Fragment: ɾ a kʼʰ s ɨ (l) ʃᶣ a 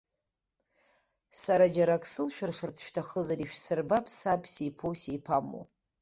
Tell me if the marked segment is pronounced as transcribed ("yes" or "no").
yes